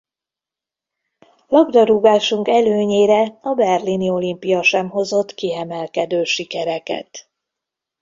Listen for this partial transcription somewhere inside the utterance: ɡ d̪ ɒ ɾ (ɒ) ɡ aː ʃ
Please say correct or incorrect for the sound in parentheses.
incorrect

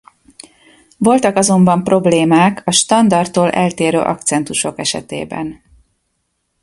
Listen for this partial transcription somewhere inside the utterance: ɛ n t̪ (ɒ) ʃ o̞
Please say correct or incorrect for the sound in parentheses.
incorrect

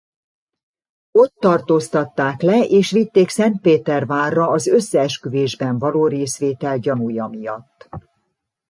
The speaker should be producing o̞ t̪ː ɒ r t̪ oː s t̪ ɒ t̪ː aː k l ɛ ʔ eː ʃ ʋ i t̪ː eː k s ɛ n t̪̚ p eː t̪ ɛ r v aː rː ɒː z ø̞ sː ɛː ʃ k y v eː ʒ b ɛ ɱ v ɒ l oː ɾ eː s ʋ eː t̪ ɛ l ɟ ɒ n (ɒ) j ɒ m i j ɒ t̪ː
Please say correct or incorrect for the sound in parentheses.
incorrect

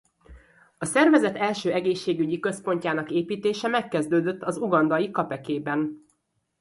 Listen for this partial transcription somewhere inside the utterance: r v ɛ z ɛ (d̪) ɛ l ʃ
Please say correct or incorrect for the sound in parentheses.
incorrect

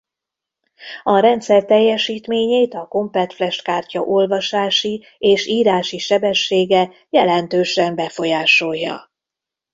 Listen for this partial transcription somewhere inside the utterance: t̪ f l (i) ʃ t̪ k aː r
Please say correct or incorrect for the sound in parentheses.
incorrect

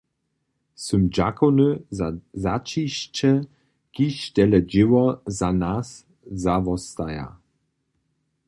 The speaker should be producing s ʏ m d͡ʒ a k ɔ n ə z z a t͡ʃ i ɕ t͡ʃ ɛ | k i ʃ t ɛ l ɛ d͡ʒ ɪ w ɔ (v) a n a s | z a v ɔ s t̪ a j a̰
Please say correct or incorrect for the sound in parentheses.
incorrect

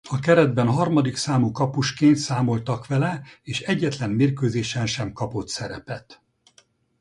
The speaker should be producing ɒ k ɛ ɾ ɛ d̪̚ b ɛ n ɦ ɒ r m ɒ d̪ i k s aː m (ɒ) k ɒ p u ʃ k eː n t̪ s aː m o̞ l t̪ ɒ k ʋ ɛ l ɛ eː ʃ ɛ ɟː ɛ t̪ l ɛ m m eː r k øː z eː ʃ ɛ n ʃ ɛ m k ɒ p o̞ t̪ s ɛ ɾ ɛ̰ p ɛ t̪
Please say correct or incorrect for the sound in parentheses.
incorrect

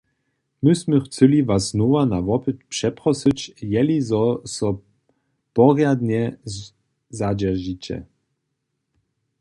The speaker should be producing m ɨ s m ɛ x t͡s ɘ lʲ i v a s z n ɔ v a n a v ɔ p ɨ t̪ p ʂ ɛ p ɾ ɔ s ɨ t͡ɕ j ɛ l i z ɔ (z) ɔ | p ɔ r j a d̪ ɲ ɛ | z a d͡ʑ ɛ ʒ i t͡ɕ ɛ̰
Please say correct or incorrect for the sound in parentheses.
incorrect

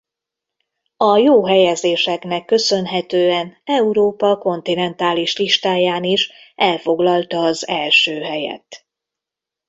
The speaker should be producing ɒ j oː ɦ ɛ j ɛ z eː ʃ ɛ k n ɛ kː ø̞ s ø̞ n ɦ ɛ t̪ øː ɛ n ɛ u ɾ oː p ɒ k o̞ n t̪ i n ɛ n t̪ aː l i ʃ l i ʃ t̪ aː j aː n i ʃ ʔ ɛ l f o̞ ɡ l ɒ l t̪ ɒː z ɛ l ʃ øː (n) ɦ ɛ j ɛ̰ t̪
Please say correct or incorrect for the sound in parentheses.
incorrect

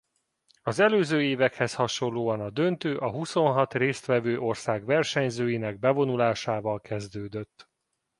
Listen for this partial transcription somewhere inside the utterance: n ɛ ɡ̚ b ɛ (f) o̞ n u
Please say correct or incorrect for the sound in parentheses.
incorrect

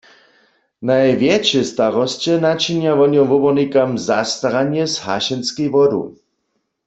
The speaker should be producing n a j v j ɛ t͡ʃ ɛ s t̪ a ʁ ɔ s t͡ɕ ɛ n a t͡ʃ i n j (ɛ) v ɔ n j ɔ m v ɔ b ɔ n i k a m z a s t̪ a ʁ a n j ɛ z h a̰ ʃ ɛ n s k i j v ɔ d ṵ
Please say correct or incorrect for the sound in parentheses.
incorrect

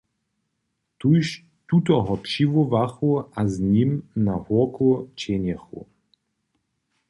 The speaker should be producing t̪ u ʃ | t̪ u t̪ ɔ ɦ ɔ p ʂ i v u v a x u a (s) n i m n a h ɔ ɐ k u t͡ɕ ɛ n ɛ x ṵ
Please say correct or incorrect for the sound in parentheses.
incorrect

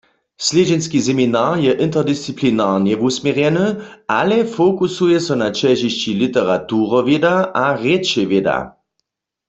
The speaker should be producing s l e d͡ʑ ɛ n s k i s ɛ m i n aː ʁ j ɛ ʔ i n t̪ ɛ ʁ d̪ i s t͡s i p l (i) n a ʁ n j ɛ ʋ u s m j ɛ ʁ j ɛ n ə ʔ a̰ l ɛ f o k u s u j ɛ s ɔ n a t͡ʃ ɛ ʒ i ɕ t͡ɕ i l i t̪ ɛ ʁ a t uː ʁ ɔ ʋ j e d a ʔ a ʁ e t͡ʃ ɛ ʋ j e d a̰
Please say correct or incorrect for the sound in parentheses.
correct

